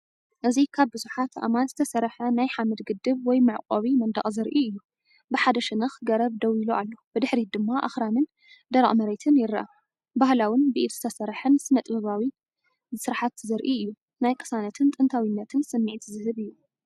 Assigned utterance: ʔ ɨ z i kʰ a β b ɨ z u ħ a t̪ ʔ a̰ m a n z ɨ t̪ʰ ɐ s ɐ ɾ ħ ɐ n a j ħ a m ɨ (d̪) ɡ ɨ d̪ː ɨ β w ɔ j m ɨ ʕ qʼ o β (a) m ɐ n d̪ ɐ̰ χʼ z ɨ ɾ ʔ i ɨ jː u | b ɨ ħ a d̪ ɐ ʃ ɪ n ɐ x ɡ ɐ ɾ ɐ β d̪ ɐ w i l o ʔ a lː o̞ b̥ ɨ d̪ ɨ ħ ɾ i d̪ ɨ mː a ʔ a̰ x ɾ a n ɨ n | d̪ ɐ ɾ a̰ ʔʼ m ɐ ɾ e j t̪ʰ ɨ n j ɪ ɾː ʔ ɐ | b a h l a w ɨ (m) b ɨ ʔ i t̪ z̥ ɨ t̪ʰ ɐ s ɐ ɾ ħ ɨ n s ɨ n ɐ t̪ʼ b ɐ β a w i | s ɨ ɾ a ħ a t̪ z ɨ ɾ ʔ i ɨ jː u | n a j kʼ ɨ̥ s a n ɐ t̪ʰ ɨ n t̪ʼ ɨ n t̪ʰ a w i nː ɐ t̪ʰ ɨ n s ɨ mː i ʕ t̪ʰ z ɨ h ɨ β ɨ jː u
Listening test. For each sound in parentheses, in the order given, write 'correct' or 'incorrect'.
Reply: correct, incorrect: i, incorrect: n

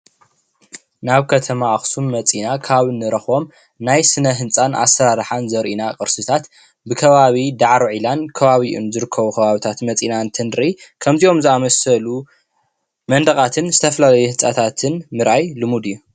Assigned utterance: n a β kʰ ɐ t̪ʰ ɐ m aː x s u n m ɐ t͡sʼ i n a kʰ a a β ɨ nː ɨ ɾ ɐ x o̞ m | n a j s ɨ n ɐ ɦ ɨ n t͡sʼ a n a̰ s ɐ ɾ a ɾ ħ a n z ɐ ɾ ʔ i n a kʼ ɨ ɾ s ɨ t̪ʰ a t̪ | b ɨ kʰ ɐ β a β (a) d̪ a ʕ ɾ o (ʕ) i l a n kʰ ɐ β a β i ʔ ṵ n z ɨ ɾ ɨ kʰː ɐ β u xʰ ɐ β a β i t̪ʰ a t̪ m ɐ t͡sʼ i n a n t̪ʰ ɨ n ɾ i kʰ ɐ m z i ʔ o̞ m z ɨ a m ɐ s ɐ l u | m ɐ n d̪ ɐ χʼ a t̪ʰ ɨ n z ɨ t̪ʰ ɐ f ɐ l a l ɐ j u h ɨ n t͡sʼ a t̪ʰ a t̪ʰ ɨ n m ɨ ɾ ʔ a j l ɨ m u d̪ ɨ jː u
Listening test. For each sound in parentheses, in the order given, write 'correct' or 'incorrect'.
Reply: incorrect: i, correct

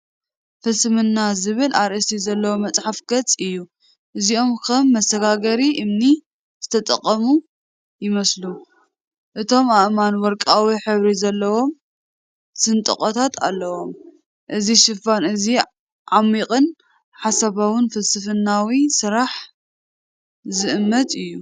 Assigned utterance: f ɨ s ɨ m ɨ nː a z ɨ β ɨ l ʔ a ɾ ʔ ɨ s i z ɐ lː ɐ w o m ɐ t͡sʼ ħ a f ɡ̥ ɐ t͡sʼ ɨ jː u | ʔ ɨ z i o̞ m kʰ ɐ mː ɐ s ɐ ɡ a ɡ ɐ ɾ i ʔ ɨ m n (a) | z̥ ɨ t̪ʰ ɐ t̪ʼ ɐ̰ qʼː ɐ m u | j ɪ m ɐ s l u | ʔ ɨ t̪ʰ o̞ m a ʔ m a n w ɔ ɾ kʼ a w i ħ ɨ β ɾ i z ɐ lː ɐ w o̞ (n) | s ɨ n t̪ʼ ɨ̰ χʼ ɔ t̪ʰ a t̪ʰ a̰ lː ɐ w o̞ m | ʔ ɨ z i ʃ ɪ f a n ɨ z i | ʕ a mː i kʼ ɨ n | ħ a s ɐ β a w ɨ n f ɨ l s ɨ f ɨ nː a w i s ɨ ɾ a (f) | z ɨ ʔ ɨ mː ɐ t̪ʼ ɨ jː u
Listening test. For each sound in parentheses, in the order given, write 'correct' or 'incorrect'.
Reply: incorrect: i, incorrect: m, incorrect: ħ

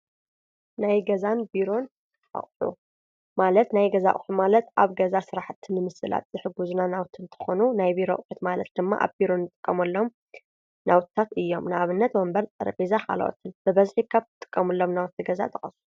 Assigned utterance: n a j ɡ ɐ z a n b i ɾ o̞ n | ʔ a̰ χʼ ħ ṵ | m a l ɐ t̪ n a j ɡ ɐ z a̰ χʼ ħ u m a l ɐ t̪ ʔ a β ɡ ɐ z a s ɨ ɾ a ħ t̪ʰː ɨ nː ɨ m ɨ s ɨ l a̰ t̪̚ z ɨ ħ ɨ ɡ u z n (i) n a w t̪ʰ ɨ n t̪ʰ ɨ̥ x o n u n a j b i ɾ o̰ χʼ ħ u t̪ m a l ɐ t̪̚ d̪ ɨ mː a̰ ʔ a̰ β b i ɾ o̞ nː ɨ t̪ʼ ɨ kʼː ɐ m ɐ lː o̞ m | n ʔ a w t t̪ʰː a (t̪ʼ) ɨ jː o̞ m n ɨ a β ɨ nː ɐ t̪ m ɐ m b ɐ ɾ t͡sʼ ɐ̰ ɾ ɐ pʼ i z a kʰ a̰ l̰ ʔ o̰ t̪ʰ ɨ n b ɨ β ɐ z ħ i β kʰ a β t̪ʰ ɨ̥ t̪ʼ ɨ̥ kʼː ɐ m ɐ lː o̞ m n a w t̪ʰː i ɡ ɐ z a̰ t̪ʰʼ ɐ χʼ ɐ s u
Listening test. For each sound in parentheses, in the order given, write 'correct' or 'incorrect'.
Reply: incorrect: a, incorrect: t̪

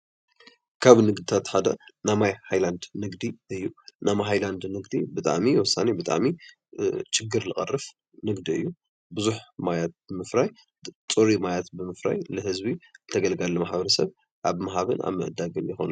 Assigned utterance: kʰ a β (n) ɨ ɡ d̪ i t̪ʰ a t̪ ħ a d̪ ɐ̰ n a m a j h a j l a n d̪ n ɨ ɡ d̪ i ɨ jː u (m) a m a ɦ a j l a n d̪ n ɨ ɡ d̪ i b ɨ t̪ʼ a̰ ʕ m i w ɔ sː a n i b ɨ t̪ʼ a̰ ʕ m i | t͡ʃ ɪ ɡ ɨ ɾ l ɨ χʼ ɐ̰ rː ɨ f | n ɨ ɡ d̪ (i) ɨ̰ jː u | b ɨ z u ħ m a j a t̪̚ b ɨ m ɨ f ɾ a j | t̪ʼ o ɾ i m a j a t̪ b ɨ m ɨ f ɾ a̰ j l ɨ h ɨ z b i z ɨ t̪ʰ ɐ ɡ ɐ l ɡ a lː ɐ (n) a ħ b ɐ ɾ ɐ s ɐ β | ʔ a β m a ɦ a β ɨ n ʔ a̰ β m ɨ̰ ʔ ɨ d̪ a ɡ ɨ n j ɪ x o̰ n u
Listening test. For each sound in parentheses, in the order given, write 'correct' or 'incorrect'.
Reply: correct, incorrect: n, correct, incorrect: m

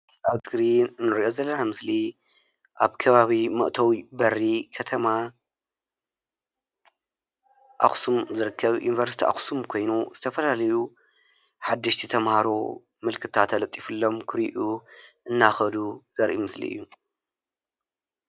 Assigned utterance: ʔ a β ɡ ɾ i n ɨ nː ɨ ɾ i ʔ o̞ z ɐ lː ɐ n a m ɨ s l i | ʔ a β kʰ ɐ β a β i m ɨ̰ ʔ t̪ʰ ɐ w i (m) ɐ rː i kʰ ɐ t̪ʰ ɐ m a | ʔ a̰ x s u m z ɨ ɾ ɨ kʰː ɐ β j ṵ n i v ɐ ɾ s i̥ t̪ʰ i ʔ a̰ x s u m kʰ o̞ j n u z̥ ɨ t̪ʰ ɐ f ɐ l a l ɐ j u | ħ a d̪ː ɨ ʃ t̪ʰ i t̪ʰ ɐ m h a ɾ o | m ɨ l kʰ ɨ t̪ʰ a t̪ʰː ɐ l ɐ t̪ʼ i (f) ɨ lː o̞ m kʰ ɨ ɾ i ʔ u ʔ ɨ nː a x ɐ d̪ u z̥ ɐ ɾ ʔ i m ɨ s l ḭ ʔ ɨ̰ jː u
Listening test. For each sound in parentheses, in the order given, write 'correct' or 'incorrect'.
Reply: incorrect: b, correct

